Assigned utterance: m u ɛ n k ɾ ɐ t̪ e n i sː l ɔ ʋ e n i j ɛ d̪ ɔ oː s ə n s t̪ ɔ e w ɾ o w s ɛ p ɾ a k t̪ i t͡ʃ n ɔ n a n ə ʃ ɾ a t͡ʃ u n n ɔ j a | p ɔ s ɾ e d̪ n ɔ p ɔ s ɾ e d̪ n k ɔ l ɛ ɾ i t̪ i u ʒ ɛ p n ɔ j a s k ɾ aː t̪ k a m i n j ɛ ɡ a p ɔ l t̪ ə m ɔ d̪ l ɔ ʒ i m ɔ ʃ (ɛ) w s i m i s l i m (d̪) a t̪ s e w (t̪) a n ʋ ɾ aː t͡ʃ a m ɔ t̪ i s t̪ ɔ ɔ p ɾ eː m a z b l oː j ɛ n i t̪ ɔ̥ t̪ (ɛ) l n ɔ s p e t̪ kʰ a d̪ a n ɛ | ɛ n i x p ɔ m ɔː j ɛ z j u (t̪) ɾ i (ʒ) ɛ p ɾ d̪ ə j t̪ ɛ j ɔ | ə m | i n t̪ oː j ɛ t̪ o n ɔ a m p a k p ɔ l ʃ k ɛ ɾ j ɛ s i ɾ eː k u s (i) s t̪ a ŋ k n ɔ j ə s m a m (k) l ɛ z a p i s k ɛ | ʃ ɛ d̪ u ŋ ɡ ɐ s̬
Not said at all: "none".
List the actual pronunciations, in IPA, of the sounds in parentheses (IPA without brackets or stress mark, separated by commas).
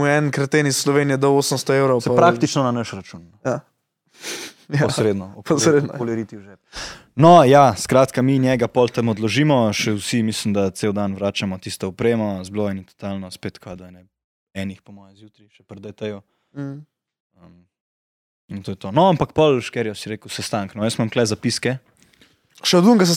ɛ, d̪, d̪, a, t̪, ʃ, ɛ, k